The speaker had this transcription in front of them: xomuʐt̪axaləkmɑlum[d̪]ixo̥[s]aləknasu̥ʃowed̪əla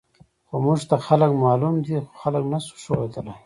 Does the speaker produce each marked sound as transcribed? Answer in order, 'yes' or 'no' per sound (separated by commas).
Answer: yes, no